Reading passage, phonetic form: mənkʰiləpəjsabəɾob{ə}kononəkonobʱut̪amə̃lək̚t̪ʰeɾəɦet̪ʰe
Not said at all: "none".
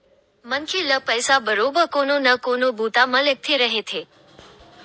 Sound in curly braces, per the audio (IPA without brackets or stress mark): ə